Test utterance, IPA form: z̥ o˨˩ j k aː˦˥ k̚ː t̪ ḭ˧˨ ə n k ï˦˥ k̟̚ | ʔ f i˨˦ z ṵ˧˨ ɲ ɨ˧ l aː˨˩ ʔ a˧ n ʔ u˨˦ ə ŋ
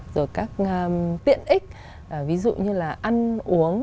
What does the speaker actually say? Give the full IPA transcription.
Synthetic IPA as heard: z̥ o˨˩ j k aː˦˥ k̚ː t̪ ḭ˧˨ ə n ʔ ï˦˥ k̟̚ | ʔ v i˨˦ z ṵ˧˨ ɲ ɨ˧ l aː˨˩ ʔ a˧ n ʔ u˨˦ ə ŋ